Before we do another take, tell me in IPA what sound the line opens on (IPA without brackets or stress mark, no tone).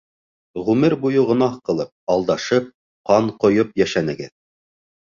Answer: ʁ